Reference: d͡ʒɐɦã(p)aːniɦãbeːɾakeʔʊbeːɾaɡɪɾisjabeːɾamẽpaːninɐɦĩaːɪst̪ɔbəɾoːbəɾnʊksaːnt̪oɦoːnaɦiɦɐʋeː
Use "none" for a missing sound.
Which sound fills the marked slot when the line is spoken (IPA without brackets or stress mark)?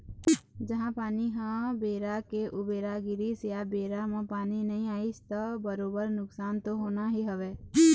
p